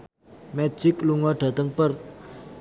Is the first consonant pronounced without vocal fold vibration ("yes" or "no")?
no